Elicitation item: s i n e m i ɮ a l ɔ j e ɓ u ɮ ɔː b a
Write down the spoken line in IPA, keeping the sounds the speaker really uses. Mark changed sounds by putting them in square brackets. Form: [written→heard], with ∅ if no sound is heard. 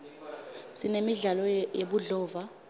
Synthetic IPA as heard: s i n e m i ɮ a l ɔ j e ɓ u ɮ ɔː [b→v] a